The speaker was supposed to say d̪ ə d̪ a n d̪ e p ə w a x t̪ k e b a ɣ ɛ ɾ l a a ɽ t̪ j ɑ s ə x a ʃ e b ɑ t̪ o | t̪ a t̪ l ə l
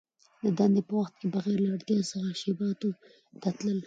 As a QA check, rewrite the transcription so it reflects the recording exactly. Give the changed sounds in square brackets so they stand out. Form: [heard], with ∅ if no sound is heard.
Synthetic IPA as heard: d̪ ə d̪ a n d̪ e p ə w a x t̪ k e b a ɣ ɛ ɾ l a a ɽ t̪ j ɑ s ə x a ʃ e b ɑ t̪ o | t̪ a t̪ l ə l

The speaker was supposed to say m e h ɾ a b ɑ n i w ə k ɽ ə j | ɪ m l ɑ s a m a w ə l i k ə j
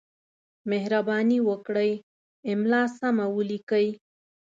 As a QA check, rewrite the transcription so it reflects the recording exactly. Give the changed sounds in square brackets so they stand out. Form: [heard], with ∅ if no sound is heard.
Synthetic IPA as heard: m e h ɾ a b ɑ n i w ə k ɽ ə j | ɪ m l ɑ s a m a w ə l i k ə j

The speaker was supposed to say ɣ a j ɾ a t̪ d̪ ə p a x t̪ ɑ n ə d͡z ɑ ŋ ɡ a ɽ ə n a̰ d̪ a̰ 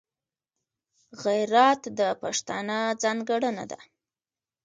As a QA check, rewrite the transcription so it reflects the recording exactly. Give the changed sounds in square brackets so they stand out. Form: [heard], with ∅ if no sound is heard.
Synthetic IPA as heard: ɣ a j ɾ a t̪ d̪ ə p a [ʂ] t̪ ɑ n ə d͡z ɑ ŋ ɡ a ɽ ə n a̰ d̪ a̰

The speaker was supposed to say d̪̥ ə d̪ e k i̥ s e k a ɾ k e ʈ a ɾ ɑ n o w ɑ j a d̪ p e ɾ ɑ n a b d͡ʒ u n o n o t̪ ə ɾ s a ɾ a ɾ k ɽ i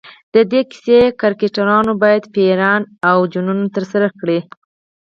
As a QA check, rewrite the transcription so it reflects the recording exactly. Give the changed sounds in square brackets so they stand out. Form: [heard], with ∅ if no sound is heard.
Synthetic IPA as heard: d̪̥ ə d̪ e k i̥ s e k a ɾ k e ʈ a ɾ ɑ n o [b] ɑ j a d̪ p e ɾ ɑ n a [w] d͡ʒ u n [u] n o t̪ ə ɾ s a ɾ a [∅] k ɽ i

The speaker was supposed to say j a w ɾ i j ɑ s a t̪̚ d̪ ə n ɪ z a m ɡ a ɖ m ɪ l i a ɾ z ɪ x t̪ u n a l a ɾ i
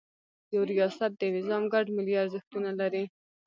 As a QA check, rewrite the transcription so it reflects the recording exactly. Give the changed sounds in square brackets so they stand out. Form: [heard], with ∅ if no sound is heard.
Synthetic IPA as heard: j a w ɾ i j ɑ s a t̪̚ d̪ ə n ɪ z [ɑ] m ɡ a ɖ m ɪ l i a ɾ z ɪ x t̪ u n a l a ɾ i

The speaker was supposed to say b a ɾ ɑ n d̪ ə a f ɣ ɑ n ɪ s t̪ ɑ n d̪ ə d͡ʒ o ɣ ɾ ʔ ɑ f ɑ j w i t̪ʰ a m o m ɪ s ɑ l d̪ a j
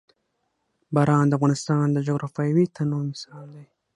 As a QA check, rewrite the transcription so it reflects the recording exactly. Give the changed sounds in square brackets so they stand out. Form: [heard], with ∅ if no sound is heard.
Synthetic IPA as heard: b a ɾ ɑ n d̪ ə a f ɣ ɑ n ɪ s t̪ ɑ n d̪ ə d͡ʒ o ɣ ɾ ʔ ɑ f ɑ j w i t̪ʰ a [n] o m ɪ s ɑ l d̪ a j

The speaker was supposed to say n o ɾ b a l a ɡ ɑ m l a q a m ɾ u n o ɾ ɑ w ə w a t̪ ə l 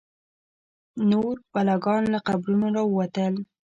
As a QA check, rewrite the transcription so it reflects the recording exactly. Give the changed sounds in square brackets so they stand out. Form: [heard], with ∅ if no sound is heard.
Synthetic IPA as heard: n o ɾ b a l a ɡ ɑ [n] l a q a [b] ɾ u n o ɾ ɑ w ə w a t̪ ə l

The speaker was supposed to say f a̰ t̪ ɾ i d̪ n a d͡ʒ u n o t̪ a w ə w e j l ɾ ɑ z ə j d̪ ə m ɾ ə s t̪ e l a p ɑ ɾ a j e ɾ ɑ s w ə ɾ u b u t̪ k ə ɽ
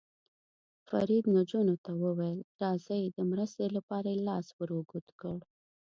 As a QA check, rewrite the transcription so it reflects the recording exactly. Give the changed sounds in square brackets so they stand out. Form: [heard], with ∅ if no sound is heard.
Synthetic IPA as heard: f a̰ [∅] ɾ i d̪ n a d͡ʒ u n o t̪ a w ə w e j l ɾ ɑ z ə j d̪ ə m ɾ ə s t̪ e l a p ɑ ɾ a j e [l] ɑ s w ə ɾ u [ɡ] u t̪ k ə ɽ

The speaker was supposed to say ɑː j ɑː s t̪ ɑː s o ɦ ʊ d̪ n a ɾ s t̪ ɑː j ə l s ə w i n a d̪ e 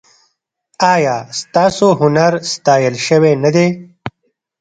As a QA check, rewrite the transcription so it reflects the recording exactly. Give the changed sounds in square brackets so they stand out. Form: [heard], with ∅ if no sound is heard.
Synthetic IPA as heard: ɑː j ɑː s t̪ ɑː s o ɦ ʊ [∅] n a ɾ s t̪ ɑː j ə l [ʃ] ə w [e] n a d̪ e

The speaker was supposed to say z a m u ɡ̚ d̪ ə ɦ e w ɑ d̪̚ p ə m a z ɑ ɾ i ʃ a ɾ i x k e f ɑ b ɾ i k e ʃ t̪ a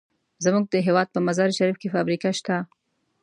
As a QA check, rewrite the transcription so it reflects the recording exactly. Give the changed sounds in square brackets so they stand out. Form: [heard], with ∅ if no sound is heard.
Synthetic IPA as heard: z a m u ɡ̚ d̪ ə ɦ e w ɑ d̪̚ p ə m a z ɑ ɾ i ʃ a ɾ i [f] k e f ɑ b ɾ i k [a] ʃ t̪ a

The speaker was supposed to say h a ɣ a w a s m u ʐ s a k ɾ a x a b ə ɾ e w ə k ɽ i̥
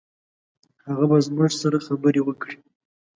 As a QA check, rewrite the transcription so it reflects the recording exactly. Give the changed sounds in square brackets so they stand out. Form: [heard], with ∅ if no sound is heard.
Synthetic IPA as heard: h a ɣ a [b] a [z] m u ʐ s a [∅] ɾ a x a b ə ɾ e w ə k ɽ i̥

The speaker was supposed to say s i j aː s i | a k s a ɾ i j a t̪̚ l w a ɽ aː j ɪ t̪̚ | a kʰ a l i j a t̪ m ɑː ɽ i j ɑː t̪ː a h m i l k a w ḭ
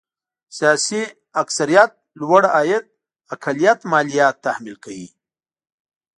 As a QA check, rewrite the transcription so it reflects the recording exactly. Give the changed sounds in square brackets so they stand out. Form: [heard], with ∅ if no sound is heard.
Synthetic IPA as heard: s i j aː s i | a k s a ɾ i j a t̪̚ l w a ɽ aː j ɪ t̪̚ | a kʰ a l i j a t̪ m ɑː [l] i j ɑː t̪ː a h m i l k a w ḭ

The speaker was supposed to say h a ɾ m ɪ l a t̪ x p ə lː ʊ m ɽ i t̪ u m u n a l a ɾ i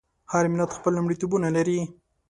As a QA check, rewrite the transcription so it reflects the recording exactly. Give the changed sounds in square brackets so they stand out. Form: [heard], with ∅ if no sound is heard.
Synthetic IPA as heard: h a ɾ m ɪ l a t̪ x p ə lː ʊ m ɽ i t̪ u [b] u n a l a ɾ i

